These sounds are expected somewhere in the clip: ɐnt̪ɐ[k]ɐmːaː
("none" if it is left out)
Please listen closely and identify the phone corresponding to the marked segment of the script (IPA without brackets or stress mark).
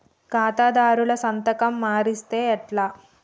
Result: k